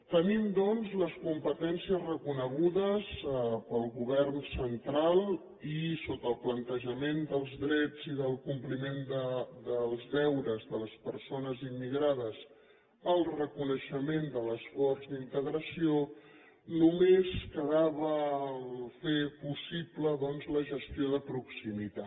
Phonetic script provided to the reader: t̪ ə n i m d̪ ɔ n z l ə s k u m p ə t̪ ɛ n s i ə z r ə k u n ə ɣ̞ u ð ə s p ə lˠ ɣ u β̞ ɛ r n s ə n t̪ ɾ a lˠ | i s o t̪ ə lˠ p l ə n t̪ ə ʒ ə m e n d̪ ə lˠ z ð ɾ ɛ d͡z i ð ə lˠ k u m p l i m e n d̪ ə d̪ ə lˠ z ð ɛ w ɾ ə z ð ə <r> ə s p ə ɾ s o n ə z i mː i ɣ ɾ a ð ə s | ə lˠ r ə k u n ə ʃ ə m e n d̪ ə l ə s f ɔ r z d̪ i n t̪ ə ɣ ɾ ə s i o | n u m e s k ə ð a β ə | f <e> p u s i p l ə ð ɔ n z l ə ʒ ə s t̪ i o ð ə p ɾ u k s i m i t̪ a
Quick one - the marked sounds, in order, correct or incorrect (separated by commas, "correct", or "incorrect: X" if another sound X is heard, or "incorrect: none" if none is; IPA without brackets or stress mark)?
incorrect: l, correct